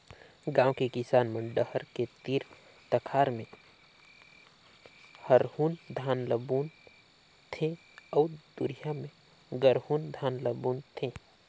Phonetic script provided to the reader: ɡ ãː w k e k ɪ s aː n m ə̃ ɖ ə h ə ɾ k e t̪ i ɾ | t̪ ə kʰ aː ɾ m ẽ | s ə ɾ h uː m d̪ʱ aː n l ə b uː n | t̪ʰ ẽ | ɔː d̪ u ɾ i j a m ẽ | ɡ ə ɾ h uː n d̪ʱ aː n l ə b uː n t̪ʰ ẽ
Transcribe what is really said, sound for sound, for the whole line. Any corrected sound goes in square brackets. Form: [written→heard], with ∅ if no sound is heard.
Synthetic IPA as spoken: ɡ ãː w k e k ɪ s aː n m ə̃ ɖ ə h ə ɾ k e t̪ i ɾ | t̪ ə kʰ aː ɾ m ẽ | [s→h] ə ɾ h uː [m→n] d̪ʱ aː n l ə b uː n | t̪ʰ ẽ | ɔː d̪ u ɾ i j a m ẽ | ɡ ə ɾ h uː n d̪ʱ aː n l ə b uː n t̪ʰ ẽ